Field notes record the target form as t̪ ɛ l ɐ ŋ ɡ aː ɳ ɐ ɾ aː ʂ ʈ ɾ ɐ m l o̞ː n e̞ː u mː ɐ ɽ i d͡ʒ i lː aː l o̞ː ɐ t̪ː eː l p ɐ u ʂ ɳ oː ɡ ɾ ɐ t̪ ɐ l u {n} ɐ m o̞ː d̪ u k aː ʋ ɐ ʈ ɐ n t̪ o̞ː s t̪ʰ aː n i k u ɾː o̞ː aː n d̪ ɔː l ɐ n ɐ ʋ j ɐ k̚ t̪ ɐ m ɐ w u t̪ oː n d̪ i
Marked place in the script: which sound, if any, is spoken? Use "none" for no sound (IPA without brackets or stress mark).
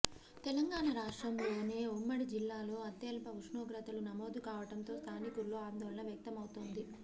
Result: n